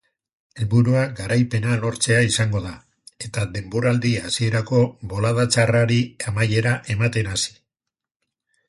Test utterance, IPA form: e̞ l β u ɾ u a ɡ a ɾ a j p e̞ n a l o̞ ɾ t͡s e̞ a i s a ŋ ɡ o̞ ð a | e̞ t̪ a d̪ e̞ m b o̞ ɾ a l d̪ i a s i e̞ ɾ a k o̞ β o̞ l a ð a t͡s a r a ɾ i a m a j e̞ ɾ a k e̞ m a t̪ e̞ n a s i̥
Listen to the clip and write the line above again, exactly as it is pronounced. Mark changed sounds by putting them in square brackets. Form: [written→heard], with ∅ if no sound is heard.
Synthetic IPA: e̞ l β u ɾ u a ɡ a ɾ a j p e̞ n a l o̞ ɾ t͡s e̞ a i s a ŋ ɡ o̞ ð a | e̞ t̪ a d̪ e̞ m b o̞ ɾ a l d̪ i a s i e̞ ɾ a k o̞ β o̞ l a ð a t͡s a r a ɾ i a m a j e̞ ɾ a [k→ʔ] e̞ m a t̪ e̞ n a s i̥